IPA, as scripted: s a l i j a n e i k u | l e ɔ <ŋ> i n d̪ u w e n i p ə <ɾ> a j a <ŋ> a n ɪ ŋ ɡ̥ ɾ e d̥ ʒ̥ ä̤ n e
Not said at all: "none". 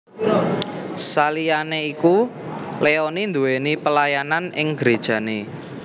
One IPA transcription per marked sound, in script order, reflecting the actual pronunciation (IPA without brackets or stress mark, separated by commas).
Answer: n, l, n